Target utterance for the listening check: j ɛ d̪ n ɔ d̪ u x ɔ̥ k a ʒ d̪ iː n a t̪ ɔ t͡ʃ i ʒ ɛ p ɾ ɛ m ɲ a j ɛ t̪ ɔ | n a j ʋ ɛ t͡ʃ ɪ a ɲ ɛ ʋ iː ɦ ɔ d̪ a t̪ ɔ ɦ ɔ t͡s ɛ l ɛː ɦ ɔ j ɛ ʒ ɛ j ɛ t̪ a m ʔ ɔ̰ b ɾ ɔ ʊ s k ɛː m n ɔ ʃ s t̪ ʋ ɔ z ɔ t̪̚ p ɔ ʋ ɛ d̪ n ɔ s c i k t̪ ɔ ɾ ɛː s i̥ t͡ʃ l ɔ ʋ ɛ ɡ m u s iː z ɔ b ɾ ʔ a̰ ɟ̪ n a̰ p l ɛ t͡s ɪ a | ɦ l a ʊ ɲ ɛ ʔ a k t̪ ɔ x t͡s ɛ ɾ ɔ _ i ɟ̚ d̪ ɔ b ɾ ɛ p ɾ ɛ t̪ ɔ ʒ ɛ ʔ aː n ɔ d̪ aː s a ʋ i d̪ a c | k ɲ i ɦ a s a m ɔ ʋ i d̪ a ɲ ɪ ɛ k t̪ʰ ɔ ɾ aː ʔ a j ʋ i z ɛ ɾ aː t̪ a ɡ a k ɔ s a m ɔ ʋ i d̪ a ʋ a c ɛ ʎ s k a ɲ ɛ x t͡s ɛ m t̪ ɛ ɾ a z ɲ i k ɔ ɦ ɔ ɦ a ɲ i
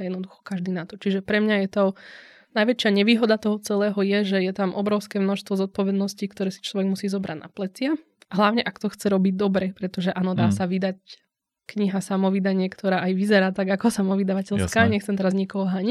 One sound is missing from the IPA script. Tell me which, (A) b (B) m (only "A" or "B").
A